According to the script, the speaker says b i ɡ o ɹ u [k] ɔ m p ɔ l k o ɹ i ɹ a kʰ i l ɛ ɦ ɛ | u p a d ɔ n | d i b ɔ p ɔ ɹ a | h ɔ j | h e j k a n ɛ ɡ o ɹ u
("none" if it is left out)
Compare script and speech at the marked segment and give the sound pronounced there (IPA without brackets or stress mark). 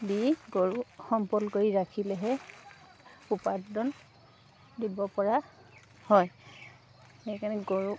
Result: x